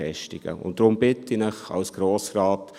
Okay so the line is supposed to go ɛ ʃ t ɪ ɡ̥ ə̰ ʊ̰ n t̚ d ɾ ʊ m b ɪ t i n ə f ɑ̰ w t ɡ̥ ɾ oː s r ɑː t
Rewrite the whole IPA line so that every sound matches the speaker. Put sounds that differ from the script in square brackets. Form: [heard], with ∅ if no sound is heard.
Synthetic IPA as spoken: ɛ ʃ t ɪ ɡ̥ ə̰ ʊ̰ n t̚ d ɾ ʊ m b ɪ t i n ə [χ] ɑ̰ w [s] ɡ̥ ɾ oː s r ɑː t